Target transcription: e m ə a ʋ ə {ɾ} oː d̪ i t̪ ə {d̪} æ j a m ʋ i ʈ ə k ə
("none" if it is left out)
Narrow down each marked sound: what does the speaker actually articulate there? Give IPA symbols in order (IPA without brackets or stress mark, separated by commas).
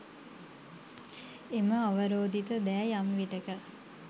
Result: ɾ, d̪